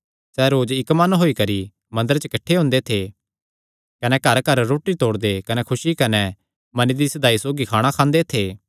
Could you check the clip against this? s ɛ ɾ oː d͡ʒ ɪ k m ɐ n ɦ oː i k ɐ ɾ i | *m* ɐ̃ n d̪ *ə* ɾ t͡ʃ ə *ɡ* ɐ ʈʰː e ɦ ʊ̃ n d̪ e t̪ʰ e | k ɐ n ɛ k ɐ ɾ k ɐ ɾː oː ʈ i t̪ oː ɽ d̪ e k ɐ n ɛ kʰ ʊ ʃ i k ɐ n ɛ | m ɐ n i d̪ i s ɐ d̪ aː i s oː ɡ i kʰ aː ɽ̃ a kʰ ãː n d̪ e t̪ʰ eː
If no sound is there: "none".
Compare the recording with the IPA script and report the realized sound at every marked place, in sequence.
m, ə, k

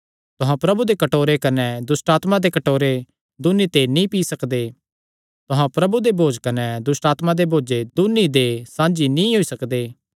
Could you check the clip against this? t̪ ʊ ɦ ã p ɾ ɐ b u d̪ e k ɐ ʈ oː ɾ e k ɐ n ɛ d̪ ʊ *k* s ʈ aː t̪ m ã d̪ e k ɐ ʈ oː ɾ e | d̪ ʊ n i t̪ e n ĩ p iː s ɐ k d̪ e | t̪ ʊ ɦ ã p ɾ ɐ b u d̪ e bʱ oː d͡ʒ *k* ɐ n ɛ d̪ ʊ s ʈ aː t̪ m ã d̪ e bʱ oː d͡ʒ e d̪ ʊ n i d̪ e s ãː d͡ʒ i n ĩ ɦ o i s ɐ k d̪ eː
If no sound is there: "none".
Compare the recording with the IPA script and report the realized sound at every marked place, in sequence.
none, k

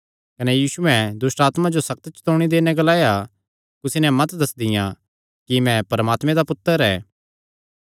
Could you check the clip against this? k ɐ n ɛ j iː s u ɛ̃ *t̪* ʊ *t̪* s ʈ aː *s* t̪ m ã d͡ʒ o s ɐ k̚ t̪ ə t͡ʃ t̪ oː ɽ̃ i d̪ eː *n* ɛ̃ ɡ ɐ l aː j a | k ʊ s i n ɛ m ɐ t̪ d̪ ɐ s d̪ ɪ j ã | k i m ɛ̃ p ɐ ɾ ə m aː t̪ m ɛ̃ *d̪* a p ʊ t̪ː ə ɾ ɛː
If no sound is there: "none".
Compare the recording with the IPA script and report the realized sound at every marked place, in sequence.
d̪, none, none, n, d̪

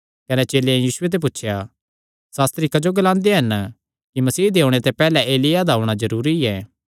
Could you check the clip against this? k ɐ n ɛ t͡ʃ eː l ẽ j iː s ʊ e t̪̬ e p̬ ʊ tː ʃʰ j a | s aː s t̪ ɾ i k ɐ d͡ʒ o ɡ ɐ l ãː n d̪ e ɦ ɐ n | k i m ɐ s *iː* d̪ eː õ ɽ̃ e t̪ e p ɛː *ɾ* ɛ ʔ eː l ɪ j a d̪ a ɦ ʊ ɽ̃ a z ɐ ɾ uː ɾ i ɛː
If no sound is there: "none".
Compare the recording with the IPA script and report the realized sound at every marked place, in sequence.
iː, l

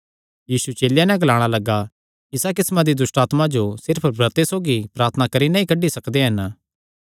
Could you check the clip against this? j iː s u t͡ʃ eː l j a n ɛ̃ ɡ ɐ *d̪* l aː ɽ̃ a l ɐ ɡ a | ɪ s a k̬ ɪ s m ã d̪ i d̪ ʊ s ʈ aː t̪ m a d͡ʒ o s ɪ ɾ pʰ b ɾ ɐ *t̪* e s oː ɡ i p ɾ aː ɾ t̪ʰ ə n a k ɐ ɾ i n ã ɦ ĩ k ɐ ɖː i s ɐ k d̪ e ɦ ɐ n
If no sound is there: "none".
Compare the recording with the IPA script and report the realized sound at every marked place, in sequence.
none, t̪

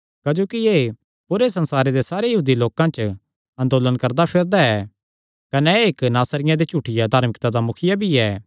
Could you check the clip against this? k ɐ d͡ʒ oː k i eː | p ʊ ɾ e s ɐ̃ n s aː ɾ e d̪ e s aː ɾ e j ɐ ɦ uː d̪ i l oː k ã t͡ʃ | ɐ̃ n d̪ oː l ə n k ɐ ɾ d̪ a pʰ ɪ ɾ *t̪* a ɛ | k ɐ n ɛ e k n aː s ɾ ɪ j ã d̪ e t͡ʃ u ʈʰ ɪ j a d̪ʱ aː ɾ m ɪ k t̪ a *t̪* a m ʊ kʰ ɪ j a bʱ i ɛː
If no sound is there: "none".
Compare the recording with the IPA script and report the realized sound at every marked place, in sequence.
d̪, d̪

